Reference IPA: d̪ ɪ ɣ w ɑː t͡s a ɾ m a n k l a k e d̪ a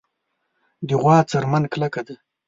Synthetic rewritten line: d̪ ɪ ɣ w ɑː t͡s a ɾ m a n k l a k a d̪ a